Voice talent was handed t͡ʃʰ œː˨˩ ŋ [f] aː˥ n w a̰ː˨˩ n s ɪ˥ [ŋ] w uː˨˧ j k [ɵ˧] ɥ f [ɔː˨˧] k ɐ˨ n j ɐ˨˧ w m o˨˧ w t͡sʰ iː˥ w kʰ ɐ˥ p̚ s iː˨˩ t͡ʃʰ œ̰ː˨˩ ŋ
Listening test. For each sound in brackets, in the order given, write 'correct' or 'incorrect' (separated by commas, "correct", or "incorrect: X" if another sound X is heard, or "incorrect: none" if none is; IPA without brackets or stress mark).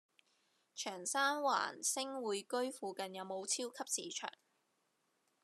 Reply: incorrect: s, correct, incorrect: ɵ˥, incorrect: uː˨˧